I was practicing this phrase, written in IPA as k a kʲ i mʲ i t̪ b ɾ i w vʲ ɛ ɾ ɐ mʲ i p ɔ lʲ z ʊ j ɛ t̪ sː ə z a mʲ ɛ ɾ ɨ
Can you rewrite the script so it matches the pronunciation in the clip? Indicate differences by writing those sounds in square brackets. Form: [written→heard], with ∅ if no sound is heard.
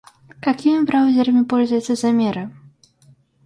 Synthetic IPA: k a kʲ i mʲ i [t̪→∅] b ɾ [i→a] w [vʲ→zʲ] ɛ ɾ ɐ mʲ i p ɔ lʲ z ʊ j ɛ t̪ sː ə z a mʲ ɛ ɾ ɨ